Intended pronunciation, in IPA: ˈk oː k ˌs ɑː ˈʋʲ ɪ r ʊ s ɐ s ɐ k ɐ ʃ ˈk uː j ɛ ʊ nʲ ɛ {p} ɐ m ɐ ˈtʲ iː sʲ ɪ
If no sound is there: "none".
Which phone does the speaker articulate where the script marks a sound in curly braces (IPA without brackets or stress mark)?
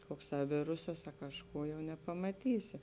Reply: p